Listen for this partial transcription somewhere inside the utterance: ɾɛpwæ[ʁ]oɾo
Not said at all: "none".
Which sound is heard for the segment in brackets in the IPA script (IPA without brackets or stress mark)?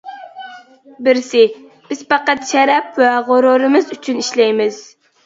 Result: ʁ